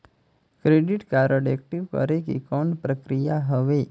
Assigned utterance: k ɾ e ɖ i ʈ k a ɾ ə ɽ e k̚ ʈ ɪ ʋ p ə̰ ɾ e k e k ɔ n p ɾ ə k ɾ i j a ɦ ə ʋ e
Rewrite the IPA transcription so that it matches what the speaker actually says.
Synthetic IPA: k ɾ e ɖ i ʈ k a ɾ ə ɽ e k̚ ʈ i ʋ k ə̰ ɾ e k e k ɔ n p ɾ ə k ɾ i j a ɦ ə ʋ e